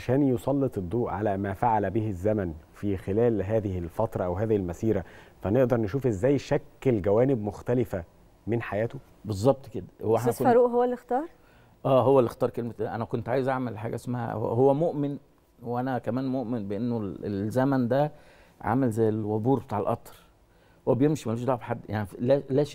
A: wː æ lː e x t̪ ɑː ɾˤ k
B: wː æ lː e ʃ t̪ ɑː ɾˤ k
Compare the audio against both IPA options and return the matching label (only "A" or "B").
A